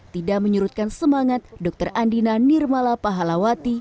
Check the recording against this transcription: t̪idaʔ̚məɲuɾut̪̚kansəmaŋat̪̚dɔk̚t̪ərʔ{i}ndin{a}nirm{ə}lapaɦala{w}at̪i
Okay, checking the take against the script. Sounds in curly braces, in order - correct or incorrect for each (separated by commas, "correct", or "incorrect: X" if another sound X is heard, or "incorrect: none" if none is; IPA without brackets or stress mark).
incorrect: a, correct, incorrect: a, correct